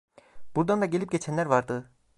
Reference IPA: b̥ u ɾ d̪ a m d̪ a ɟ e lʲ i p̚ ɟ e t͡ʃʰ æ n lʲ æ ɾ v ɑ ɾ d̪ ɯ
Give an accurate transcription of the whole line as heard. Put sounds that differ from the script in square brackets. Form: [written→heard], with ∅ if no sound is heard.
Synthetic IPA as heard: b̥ u ɾ d̪ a [m→n] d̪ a ɟ e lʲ i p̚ ɟ e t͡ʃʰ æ n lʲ æ ɾ v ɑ ɾ d̪ ɯ